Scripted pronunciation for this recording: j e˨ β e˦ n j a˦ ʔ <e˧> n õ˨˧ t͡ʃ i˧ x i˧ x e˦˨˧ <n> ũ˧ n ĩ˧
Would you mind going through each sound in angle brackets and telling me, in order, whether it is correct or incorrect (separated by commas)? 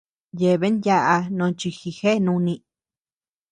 incorrect, correct